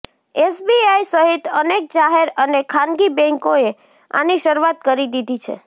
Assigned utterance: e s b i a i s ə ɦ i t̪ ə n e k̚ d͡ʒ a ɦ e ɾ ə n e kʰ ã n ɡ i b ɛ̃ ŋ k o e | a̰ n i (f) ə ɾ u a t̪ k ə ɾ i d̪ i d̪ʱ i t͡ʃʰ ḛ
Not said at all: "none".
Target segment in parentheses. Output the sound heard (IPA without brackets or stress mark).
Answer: ʃ